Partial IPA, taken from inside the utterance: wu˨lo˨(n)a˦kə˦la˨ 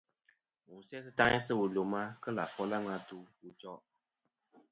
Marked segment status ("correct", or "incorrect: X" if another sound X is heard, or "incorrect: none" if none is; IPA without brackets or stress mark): incorrect: m